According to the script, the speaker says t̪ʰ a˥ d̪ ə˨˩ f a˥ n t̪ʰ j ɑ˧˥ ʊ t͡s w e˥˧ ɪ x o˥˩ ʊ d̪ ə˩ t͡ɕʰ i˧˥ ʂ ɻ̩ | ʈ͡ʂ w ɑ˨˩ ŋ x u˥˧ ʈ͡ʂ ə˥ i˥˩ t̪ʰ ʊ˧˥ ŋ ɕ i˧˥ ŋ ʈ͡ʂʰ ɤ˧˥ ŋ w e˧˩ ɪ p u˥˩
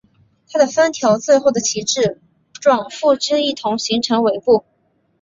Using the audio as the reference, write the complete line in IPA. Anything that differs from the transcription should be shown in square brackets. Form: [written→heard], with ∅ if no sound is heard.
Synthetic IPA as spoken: t̪ʰ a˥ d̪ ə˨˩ f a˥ n t̪ʰ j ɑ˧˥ ʊ t͡s w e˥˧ ɪ x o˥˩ ʊ d̪ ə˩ t͡ɕʰ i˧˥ [ʂ→ʈ͡ʂ] ɻ̩ | ʈ͡ʂ w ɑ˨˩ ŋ [x→f] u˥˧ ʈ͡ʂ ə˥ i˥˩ t̪ʰ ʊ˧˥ ŋ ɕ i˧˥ ŋ ʈ͡ʂʰ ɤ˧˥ ŋ w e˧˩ ɪ p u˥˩